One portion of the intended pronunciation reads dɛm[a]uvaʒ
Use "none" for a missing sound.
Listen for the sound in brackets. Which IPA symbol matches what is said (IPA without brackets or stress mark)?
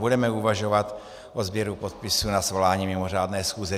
ɛ